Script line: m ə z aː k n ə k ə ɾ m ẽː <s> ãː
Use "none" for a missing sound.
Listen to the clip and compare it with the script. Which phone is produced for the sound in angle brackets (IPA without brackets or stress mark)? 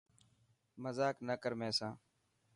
s